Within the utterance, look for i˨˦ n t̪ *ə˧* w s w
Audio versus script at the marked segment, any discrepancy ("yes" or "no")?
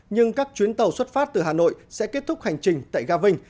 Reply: yes